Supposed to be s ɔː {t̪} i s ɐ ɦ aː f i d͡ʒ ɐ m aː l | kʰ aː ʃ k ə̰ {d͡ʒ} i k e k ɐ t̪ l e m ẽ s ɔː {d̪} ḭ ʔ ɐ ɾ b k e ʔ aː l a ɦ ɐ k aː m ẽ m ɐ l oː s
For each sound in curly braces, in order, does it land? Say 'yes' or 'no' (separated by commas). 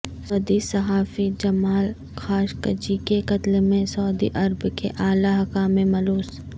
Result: no, yes, yes